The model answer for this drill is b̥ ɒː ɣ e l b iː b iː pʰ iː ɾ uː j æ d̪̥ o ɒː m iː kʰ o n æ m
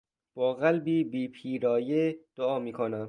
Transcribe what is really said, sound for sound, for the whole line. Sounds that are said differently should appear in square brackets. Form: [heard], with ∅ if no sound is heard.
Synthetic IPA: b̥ ɒː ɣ [æ] l b iː b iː pʰ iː ɾ [ɒː] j [e] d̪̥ o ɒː m iː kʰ o n æ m